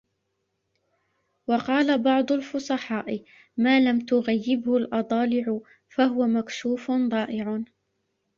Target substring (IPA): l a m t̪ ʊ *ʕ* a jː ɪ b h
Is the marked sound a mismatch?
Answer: yes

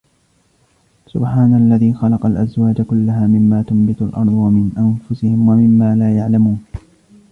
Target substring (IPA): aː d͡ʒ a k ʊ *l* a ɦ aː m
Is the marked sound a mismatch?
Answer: yes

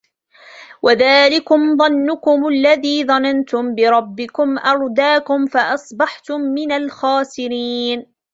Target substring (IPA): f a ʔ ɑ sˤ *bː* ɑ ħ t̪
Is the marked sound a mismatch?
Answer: yes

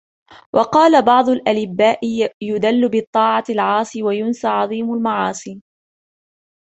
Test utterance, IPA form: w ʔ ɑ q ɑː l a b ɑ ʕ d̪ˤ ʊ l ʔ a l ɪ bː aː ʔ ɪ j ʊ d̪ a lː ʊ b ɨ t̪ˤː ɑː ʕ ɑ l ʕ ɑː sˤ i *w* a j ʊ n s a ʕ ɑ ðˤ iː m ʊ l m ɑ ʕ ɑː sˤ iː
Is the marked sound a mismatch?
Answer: no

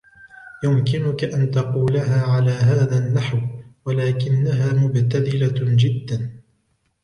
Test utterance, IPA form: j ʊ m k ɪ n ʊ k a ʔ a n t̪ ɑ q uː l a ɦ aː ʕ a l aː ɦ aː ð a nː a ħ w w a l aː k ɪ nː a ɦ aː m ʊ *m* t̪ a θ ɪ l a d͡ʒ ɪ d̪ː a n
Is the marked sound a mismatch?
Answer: yes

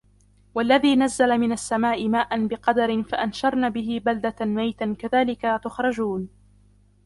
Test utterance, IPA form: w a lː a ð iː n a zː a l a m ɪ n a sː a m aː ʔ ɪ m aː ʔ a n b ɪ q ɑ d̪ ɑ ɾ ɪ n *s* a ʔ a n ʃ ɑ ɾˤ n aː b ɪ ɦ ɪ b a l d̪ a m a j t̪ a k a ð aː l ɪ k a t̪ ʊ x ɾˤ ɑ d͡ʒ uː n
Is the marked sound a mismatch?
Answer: yes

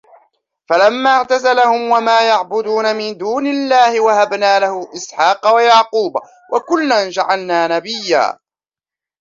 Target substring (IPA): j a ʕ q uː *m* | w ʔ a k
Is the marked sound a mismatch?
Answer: yes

